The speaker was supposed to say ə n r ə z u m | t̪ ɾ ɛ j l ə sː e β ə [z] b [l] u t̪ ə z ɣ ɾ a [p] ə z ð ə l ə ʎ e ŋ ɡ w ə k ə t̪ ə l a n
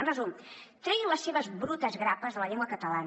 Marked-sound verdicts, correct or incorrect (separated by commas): correct, incorrect, correct